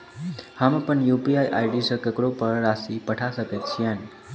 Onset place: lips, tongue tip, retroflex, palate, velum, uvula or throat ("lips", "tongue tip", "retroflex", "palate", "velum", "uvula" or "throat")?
throat